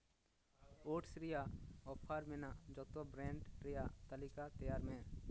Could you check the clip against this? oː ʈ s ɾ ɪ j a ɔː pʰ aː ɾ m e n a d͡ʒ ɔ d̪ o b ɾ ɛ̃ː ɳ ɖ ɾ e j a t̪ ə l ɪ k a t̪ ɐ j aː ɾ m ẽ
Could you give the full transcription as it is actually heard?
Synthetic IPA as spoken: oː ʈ s ɾ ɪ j a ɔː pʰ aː ɾ m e n a d͡ʒ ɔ t̪ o b ɾ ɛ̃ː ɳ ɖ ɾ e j a t̪ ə l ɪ k a t̪ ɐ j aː ɾ m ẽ